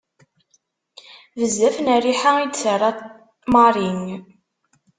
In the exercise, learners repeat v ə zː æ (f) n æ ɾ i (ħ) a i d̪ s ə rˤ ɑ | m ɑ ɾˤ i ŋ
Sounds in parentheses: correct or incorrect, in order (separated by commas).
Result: correct, correct